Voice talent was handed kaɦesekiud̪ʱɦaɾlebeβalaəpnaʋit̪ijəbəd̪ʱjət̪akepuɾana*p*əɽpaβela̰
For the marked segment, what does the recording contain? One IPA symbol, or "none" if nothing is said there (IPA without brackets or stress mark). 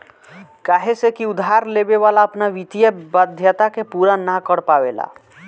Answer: k